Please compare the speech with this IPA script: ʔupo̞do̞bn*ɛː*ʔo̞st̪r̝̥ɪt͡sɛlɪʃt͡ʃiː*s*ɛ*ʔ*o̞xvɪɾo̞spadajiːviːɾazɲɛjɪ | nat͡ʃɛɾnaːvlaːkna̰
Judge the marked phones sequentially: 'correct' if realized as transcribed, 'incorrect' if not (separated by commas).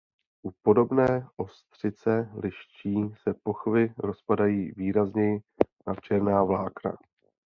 correct, correct, incorrect